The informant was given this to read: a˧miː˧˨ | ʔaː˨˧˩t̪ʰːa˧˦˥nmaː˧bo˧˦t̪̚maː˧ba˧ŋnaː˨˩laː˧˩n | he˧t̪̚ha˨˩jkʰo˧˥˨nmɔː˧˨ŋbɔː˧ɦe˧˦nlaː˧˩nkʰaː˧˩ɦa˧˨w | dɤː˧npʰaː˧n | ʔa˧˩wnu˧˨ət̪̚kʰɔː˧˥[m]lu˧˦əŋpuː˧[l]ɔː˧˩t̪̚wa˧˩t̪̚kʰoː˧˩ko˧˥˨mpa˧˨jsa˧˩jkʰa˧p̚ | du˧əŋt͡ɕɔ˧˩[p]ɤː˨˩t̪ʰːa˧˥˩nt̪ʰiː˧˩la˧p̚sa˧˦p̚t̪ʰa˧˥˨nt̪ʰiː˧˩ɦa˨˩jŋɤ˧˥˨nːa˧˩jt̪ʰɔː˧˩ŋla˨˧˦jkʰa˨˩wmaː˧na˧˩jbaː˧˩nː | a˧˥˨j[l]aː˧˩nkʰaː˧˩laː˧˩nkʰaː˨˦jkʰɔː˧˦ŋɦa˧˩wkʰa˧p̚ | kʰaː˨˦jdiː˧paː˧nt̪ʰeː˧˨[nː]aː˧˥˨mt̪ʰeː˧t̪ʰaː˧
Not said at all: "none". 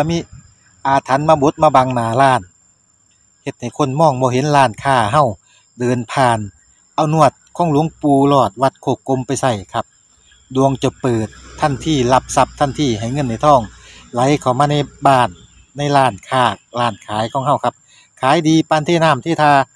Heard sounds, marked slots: ŋ, l, p, l, n

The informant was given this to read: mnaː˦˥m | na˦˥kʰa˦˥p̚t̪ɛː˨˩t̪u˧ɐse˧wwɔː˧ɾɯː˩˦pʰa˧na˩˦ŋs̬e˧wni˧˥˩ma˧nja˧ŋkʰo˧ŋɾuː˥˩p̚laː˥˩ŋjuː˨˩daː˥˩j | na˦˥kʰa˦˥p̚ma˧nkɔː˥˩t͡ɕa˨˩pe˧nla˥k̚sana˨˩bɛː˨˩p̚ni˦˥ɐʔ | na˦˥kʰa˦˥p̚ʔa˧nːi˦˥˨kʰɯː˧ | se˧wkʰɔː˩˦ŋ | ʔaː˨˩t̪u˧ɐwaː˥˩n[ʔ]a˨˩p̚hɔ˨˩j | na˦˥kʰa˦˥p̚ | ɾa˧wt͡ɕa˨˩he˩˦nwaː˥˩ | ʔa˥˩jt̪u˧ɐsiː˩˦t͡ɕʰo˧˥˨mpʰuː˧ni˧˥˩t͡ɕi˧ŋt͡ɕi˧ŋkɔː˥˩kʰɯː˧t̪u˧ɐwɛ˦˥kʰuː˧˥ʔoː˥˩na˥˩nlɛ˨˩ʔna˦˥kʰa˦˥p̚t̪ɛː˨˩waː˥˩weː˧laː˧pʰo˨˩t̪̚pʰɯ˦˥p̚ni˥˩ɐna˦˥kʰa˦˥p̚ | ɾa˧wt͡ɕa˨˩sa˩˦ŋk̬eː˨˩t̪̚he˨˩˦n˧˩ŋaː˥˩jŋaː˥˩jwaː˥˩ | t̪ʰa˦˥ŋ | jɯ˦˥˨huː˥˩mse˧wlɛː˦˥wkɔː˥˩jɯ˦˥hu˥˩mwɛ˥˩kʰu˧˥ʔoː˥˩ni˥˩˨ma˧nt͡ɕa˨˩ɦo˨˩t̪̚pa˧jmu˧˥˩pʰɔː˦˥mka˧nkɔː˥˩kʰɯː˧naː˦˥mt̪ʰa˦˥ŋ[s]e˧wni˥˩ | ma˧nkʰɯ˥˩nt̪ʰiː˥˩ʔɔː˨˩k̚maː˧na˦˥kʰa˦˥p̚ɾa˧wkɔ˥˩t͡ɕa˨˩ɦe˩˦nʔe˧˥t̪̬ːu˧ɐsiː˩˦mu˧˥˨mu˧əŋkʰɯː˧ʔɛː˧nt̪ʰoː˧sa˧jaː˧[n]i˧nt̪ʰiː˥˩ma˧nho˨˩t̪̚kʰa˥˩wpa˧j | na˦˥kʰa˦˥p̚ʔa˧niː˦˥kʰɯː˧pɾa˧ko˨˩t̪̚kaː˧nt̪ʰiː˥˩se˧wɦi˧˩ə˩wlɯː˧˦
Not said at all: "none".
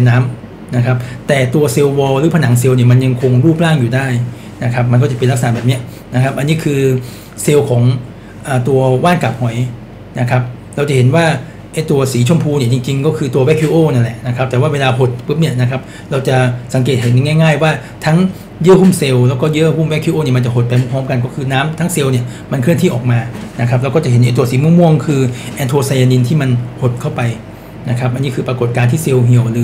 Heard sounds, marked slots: k, s, n

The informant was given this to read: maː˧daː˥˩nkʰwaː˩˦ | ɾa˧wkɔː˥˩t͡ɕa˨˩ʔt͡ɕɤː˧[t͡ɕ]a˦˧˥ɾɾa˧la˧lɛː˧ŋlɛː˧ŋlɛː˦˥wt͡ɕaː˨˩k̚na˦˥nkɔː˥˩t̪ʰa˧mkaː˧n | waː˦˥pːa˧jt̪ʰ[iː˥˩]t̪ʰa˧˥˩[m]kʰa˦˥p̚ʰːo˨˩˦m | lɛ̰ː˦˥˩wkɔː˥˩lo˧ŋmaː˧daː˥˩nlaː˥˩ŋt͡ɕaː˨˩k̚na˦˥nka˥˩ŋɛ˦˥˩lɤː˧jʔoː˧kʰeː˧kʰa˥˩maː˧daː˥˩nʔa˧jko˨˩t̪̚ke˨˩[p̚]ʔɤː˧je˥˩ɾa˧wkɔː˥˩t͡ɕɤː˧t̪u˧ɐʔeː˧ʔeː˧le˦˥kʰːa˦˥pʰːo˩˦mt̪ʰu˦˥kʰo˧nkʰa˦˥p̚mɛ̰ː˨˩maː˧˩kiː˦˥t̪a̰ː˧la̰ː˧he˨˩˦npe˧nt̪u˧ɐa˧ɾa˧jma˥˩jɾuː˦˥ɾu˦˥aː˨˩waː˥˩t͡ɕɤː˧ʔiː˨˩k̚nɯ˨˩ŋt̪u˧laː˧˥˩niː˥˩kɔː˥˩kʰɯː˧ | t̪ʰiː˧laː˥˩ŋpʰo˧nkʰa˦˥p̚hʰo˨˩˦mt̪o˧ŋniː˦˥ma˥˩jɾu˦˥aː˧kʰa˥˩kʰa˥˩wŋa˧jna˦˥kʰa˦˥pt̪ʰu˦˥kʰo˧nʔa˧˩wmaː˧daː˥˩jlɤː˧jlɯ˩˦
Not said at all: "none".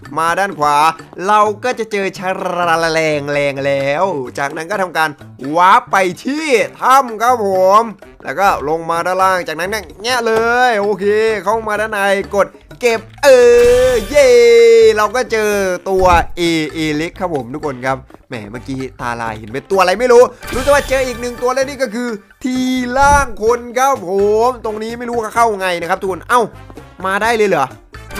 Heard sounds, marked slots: t͡ɕʰ, iː˥˩, m, p̚

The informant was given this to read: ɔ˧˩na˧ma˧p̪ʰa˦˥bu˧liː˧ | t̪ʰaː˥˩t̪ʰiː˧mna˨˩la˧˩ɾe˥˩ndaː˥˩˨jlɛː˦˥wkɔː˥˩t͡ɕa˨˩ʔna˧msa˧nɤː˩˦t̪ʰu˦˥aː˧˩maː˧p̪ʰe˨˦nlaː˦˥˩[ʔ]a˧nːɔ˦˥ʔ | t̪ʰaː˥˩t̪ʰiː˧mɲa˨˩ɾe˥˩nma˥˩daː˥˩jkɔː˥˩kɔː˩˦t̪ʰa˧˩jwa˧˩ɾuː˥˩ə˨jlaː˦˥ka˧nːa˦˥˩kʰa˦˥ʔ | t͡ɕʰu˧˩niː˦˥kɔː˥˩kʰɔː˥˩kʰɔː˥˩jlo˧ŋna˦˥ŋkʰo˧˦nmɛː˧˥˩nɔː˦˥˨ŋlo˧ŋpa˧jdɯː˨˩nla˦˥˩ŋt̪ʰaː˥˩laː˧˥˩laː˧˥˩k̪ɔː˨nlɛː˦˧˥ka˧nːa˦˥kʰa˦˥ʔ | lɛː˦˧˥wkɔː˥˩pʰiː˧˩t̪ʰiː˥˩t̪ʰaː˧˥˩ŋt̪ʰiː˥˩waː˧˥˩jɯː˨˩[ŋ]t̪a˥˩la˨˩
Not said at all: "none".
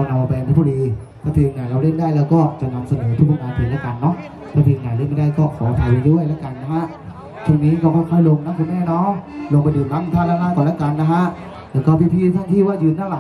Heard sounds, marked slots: k, n

